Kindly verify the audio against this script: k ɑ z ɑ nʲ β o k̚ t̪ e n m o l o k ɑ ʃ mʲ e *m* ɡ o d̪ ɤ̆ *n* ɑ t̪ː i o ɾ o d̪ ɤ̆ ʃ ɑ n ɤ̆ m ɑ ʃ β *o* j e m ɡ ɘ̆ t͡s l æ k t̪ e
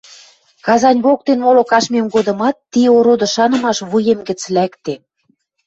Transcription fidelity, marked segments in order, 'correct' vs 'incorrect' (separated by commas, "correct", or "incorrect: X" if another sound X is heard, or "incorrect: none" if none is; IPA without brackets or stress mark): correct, incorrect: m, incorrect: u